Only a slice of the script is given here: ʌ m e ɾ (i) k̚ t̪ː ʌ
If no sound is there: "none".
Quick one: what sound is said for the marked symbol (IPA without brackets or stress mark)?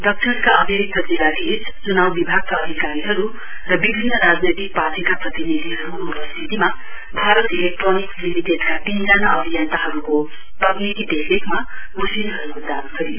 i